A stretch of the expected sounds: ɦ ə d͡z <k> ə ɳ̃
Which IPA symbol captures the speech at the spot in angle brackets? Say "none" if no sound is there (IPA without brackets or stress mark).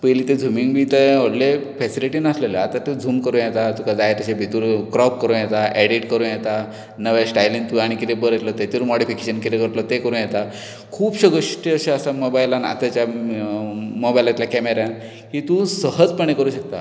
p